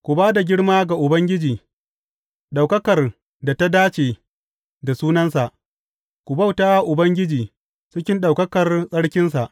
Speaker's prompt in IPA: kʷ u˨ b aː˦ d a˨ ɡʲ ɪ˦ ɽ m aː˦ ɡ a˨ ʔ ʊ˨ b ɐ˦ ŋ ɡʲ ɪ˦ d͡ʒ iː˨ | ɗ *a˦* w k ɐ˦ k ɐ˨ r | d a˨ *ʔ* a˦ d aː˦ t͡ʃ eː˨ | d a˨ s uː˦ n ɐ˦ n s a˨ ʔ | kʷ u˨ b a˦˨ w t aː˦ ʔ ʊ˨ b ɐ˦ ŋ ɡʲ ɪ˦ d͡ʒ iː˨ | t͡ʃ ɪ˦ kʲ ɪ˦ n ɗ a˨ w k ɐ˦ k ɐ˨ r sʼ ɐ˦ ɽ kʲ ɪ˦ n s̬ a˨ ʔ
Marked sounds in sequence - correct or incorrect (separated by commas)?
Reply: incorrect, incorrect